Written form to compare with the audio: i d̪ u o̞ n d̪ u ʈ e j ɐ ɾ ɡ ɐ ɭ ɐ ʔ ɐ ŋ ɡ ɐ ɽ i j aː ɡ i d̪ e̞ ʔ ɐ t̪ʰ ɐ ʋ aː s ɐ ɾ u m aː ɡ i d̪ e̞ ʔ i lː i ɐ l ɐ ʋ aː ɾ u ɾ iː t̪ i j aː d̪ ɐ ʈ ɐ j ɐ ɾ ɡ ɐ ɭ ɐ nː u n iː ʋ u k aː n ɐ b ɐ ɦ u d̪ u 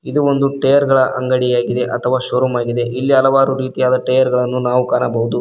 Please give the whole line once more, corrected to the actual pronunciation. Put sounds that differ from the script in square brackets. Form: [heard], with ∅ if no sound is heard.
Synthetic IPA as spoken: i d̪ u o̞ n d̪ u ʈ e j ɐ ɾ ɡ ɐ ɭ ɐ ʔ ɐ ŋ ɡ ɐ ɽ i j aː ɡ i d̪ e̞ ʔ ɐ t̪ʰ ɐ ʋ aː [ʃ] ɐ ɾ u m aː ɡ i d̪ e̞ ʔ i lː i ɐ l ɐ ʋ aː ɾ u ɾ iː t̪ i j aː d̪ ɐ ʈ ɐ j ɐ ɾ ɡ ɐ ɭ ɐ nː u n [aː] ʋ u k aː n ɐ b ɐ ɦ u d̪ u